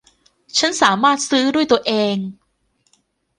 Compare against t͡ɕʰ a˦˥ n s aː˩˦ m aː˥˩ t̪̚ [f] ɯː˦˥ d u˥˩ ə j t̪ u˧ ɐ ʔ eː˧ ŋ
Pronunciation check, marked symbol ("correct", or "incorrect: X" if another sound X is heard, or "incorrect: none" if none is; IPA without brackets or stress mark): incorrect: s